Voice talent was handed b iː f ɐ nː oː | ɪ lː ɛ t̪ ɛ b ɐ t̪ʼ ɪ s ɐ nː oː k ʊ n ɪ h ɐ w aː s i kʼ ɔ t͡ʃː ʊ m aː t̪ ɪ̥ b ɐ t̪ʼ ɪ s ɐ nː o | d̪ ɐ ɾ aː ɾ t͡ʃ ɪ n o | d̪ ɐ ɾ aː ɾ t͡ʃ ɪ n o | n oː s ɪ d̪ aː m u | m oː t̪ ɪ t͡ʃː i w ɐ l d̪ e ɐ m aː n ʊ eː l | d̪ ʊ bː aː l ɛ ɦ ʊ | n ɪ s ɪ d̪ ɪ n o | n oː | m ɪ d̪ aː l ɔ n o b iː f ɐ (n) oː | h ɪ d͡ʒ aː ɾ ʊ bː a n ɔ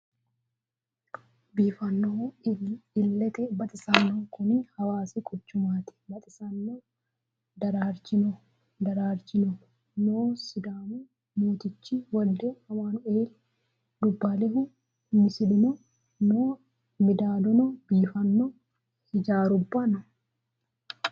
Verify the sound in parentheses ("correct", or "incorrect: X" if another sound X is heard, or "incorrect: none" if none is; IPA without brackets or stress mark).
incorrect: nː